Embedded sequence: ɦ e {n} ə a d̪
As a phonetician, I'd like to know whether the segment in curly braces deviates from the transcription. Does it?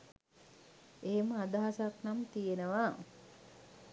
yes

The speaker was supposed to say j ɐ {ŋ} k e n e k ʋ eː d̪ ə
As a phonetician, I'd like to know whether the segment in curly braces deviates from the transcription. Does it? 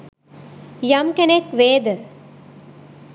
yes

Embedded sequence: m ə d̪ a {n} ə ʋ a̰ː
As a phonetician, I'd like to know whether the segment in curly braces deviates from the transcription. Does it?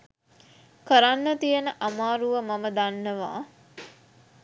yes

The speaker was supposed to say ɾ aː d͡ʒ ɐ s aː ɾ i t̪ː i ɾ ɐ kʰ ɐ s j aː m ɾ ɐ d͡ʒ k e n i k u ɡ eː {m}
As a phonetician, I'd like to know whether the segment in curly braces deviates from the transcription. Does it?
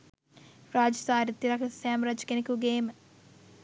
no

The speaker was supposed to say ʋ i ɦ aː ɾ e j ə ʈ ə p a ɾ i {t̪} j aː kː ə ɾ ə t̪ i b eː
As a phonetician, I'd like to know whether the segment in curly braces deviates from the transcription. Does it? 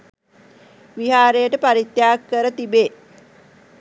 no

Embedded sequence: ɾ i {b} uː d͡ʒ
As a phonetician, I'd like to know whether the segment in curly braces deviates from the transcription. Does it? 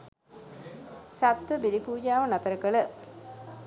yes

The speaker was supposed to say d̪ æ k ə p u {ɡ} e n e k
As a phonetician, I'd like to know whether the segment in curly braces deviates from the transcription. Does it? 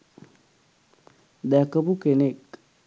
yes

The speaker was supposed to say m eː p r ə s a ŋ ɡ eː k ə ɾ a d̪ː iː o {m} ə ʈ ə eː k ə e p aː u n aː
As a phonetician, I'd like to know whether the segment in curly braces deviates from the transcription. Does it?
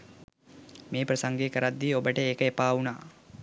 yes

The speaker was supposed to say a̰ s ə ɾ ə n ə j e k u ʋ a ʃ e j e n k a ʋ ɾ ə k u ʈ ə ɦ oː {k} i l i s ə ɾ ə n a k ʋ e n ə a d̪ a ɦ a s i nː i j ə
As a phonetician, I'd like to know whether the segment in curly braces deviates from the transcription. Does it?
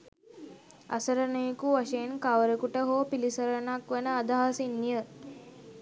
yes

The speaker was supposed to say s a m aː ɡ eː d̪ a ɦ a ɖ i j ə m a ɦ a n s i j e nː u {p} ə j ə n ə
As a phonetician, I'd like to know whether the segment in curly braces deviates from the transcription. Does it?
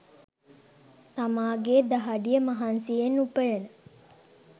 no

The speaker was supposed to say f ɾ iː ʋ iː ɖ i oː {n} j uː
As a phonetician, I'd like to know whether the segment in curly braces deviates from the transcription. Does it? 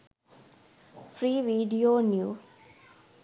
no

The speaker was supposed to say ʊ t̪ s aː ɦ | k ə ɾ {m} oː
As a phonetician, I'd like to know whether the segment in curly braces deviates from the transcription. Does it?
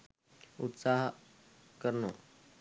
yes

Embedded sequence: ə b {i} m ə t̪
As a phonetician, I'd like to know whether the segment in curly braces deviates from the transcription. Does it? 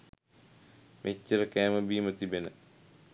yes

